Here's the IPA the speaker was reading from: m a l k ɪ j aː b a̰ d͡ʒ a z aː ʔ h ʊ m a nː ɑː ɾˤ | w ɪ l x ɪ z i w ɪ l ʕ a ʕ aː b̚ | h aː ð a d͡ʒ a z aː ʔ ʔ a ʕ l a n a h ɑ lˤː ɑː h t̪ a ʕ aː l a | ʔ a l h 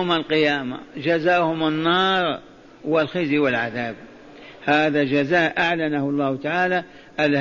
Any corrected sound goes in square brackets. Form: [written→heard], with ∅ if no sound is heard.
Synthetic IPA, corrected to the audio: m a l [k→q] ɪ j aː [b→m] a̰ d͡ʒ a z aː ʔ h ʊ m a nː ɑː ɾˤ | w ɪ l x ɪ z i w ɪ l ʕ a [ʕ→ð] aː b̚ | h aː ð a d͡ʒ a z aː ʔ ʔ a ʕ l a n a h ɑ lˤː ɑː h t̪ a ʕ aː l a | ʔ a l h